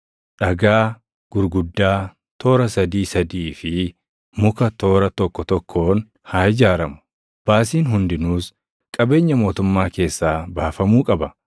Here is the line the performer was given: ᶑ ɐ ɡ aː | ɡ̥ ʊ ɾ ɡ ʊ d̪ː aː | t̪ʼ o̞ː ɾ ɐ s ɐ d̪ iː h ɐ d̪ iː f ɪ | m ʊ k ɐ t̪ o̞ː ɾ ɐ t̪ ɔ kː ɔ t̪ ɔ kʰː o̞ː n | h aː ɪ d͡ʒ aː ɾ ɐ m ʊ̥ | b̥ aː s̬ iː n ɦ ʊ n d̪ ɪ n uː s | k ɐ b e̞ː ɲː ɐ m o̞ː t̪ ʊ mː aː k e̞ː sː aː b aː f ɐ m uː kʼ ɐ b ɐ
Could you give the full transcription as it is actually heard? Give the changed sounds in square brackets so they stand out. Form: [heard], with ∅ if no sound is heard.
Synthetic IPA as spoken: ᶑ ɐ ɡ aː | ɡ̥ ʊ ɾ ɡ ʊ d̪ː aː | [t̪] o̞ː ɾ ɐ s ɐ d̪ iː [s] ɐ d̪ iː f ɪ | m ʊ k ɐ t̪ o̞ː ɾ ɐ t̪ ɔ kː ɔ t̪ ɔ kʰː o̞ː n | h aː ɪ d͡ʒ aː ɾ ɐ m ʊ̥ | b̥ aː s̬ iː n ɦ ʊ n d̪ ɪ n uː s | [kʼ] ɐ b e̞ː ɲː ɐ m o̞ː t̪ ʊ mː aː k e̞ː sː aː b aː f ɐ m uː kʼ ɐ b ɐ